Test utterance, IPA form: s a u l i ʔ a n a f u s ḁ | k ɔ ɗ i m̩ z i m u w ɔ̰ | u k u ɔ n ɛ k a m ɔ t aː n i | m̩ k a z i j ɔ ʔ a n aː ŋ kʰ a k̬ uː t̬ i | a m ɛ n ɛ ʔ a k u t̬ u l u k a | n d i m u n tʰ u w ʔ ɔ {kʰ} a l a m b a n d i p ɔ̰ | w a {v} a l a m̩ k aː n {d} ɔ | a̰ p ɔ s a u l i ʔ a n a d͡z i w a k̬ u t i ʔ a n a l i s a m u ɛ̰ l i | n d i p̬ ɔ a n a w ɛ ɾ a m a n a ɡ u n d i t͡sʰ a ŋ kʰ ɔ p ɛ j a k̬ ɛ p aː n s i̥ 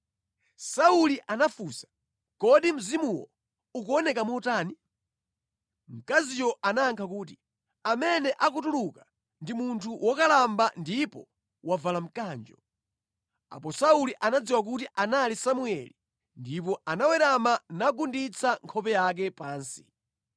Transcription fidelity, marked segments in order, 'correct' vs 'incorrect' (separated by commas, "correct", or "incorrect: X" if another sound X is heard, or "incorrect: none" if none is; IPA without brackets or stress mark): incorrect: k, correct, incorrect: d͡ʒ